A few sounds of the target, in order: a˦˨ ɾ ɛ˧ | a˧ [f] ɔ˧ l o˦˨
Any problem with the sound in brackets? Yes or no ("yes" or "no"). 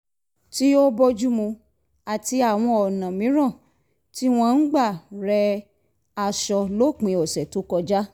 yes